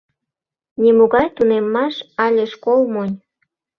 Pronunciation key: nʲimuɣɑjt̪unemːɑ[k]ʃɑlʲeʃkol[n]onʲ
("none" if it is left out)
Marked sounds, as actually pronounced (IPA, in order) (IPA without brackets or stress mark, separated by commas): none, m